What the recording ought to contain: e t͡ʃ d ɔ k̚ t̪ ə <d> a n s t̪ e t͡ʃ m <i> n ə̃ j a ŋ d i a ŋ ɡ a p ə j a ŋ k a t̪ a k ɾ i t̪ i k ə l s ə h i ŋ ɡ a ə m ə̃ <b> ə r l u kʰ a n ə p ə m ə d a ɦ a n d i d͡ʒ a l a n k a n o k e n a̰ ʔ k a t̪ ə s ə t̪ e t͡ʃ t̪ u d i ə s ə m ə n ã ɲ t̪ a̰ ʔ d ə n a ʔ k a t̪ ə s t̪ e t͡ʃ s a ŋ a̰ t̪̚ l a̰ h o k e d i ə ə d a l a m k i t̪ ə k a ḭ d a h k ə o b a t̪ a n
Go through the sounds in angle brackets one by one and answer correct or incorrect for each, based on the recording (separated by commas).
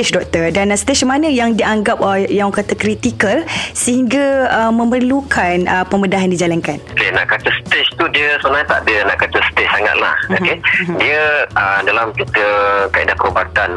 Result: correct, incorrect, incorrect